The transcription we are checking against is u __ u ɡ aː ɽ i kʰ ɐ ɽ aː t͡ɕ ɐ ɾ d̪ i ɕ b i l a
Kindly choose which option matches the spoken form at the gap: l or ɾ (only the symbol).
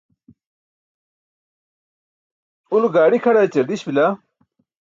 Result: l